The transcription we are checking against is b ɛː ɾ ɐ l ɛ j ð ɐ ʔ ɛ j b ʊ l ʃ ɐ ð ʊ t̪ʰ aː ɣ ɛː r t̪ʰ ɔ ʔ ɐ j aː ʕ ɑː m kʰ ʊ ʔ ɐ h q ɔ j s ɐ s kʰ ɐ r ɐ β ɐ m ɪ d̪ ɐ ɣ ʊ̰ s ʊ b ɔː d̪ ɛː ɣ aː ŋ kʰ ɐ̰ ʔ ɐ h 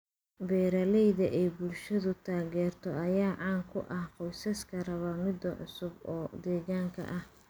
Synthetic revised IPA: b ɛː ɾ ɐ l ɛ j ð ɐ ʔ ɛ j b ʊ l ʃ ɐ ð ʊ t̪ʰ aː ɣ ɛː r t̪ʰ ɔ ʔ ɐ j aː ʕ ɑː ŋ kʰ ʊ ʔ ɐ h q ɔ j s ɐ s kʰ ɐ r ɐ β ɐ m ɪ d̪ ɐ ʕ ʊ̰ s ʊ b ɔː d̪ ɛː ɣ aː ŋ kʰ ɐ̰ ʔ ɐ h